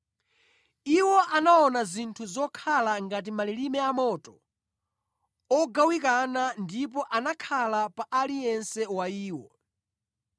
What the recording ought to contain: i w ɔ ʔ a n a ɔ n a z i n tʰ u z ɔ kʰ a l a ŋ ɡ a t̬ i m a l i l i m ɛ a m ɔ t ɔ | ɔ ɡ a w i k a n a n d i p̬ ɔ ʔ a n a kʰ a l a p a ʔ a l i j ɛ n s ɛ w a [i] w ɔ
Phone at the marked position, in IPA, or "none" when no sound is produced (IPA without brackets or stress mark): iː